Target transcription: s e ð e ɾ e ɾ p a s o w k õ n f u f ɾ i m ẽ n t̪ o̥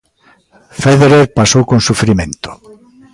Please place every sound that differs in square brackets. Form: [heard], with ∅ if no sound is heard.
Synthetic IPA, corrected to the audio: [f] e ð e ɾ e ɾ p a s o w k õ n [s] u f ɾ i m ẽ n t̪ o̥